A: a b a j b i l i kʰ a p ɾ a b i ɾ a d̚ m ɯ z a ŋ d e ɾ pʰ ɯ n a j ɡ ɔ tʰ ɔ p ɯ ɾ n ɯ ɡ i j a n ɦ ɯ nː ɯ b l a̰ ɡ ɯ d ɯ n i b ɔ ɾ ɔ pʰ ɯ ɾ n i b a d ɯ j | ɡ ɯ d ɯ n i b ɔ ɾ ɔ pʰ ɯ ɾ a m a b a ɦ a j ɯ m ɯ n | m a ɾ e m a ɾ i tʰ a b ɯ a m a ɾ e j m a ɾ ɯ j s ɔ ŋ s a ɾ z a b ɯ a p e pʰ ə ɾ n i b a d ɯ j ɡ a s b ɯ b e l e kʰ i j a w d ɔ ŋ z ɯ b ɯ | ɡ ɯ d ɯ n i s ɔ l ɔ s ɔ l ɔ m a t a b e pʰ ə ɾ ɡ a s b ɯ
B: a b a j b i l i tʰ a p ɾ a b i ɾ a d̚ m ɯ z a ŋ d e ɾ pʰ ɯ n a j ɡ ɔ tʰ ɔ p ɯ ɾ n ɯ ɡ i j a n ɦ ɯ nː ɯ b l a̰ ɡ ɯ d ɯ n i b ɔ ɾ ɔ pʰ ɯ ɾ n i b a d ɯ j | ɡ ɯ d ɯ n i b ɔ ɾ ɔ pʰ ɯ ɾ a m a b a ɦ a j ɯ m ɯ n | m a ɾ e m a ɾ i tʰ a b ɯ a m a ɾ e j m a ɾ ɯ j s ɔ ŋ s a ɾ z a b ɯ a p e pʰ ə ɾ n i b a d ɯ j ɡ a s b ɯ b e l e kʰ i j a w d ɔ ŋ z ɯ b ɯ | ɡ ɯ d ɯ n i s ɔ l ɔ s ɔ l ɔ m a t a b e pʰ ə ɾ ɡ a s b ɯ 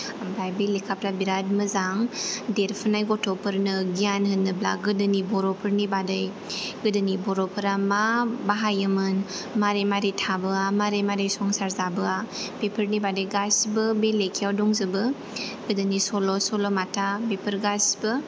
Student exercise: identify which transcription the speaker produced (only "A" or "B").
A